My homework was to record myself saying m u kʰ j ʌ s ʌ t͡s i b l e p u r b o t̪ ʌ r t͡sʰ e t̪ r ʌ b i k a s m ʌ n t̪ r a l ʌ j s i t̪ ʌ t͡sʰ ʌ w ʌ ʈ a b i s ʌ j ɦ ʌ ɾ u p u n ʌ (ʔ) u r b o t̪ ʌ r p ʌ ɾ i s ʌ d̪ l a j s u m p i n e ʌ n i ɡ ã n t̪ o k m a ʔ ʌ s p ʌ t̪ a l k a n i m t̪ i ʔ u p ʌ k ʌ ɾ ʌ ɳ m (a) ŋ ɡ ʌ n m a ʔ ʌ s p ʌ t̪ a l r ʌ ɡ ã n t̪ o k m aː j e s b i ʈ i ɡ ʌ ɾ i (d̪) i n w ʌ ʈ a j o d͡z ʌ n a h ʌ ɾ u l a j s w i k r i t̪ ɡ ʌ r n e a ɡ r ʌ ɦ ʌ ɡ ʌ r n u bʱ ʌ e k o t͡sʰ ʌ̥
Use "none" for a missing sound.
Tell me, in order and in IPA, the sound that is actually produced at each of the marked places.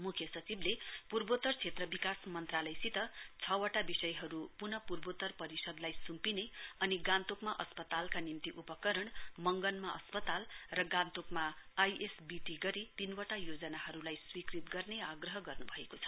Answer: p, ʌ, t̪

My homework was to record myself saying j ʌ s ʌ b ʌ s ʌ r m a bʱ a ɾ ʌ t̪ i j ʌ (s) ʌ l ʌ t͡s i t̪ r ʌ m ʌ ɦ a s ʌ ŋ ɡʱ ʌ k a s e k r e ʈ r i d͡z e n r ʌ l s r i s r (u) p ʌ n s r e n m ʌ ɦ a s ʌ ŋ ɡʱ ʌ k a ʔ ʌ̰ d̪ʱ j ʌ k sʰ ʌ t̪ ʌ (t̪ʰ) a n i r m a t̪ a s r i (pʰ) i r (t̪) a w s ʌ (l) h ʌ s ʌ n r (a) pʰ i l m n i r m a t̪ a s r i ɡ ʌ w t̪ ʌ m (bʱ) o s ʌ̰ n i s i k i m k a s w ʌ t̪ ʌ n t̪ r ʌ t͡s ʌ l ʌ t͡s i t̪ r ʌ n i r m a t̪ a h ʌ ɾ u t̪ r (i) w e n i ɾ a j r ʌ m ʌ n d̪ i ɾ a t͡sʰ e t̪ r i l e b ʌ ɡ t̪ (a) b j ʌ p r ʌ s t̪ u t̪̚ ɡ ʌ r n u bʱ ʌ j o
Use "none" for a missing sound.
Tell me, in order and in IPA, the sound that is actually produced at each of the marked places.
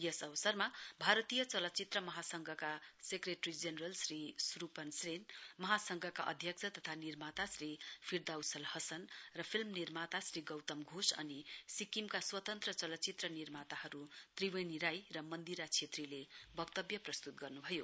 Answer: t͡s, u, t̪ʰ, pʰ, d̪, l, ʌ, ɡʱ, i, ʌ

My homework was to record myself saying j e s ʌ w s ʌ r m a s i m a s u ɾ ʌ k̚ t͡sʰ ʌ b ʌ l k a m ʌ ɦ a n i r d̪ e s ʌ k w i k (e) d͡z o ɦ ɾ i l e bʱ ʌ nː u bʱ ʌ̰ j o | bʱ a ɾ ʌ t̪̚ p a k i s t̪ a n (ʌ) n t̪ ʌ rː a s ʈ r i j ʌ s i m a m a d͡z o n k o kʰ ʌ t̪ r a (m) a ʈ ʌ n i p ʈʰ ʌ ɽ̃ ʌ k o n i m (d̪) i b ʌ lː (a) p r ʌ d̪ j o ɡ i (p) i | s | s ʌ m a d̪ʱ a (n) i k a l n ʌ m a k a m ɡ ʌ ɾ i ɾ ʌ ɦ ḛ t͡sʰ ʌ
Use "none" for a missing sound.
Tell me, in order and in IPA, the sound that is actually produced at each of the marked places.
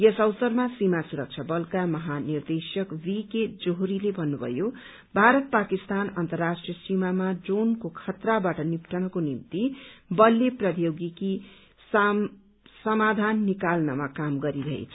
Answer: e, ʌ, b, t̪, e, k, nː

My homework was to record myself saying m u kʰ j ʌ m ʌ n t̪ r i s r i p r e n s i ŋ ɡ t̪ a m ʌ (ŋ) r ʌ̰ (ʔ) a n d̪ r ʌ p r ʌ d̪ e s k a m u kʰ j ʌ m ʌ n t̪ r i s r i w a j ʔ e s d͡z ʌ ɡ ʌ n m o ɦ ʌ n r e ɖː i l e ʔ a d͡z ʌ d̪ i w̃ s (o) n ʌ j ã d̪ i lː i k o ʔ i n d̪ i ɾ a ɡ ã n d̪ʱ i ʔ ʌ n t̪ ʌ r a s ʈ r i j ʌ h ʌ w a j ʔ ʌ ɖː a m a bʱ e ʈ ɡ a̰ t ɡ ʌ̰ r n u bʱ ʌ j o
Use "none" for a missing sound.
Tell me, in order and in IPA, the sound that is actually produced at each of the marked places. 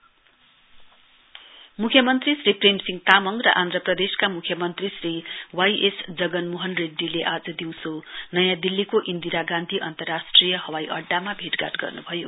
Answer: ŋ, ʔ, o

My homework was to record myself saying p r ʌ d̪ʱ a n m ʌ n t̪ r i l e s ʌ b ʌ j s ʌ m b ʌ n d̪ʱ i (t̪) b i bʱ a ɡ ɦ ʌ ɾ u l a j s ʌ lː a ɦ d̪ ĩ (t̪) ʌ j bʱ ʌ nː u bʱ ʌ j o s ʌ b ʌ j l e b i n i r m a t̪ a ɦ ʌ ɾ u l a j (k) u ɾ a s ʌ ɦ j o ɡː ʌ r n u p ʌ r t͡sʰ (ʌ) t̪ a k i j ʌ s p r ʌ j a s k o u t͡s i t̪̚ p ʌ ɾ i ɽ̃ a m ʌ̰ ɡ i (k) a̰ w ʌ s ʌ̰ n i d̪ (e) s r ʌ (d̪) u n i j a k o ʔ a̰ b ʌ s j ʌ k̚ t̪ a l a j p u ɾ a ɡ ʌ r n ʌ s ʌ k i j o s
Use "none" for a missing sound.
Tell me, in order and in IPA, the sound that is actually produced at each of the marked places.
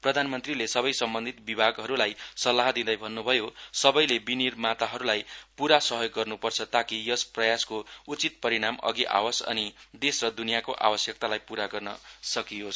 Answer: t̪, d̪, p, ʌ, ʔ, e, d̪

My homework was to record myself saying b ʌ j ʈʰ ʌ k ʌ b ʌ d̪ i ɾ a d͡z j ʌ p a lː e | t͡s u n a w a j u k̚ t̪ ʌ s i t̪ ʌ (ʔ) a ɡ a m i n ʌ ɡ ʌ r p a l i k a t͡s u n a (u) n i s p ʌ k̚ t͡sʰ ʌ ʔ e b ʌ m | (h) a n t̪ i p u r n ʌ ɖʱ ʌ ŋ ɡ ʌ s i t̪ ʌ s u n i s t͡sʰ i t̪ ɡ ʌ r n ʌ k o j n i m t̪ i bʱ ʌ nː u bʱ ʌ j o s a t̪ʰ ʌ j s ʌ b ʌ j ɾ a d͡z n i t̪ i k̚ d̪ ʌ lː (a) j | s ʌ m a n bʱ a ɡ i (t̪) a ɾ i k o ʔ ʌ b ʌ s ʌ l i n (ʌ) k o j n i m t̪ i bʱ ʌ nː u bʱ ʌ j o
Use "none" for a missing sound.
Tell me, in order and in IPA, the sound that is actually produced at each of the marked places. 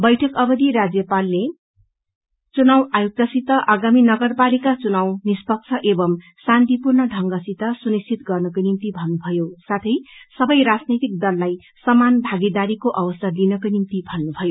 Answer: ʔ, w, s, a, d̪, ʌ

